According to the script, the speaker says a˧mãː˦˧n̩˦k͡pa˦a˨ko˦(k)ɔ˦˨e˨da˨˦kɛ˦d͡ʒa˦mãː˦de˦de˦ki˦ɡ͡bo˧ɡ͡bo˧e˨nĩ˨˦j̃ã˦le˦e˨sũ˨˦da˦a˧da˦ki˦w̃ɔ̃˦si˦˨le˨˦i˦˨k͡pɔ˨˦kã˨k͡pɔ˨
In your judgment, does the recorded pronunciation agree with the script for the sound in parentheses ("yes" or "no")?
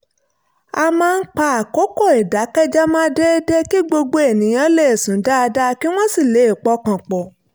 yes